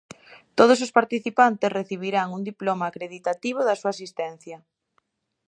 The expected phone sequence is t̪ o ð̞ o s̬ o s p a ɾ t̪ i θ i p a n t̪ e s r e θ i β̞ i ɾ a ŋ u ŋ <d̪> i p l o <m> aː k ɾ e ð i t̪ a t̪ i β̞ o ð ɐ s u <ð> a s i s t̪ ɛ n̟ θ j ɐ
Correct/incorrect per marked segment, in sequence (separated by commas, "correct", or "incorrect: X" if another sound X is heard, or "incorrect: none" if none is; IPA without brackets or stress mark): correct, correct, incorrect: none